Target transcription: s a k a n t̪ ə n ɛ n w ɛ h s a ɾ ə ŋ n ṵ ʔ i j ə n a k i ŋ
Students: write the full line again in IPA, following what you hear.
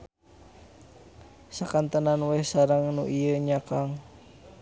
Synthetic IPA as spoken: s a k a n t̪ ə n a n w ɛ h s a ɾ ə ŋ n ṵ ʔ i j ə ɲ a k a ŋ